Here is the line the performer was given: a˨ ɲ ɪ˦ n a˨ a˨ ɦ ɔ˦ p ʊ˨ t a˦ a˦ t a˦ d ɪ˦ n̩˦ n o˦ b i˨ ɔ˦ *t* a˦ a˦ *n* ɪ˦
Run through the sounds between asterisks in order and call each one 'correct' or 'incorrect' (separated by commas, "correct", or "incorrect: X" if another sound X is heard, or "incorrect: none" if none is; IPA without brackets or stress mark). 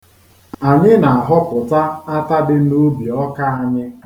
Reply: incorrect: k, incorrect: ɲ